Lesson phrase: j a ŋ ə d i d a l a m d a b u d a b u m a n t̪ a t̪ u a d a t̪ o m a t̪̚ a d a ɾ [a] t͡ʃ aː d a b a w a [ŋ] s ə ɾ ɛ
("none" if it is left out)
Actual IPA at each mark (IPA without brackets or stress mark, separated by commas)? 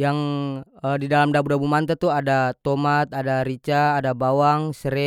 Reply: i, ŋ